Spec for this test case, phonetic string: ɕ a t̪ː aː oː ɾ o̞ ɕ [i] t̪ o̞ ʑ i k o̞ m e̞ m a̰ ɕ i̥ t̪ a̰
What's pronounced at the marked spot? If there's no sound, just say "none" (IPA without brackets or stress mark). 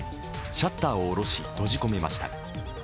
i